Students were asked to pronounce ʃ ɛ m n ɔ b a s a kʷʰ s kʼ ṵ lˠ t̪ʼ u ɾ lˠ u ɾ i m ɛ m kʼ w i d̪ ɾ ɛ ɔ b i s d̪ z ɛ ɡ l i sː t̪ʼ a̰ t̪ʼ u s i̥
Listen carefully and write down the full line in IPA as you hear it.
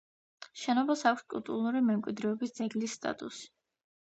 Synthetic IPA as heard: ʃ ɛ n ɔ b a s a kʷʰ s kʼ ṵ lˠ t̪ʼ u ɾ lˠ u ɾ i m ɛ m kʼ w i d̪ ɾ ɛ ɔ b i s d̪ z ɛ ɡ l i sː t̪ʼ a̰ t̪ʼ u s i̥